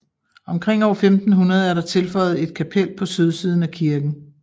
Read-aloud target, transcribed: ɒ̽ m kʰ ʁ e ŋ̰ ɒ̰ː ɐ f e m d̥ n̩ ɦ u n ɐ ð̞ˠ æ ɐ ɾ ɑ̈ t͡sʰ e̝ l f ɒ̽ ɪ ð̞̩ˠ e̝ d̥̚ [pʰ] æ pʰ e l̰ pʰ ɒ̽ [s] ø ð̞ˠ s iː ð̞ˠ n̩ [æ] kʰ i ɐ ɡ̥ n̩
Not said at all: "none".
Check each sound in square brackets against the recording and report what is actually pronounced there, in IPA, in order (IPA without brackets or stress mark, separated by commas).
kʰ, s, æ